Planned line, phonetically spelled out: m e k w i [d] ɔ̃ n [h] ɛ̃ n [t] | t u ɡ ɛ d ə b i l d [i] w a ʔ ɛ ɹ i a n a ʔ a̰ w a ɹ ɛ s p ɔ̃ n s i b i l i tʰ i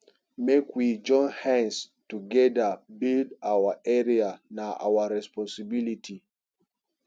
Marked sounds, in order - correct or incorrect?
incorrect: d͡ʒ, correct, incorrect: s, incorrect: a

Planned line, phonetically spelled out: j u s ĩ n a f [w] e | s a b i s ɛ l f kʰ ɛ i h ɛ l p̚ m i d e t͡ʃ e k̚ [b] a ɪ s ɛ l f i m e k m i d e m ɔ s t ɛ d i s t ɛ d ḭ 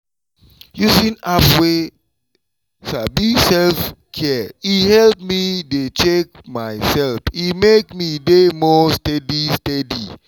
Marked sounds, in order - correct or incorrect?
correct, incorrect: m

